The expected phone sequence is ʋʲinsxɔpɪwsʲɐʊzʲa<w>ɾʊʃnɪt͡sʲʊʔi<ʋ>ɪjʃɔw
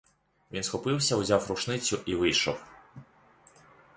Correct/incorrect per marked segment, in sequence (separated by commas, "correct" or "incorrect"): correct, correct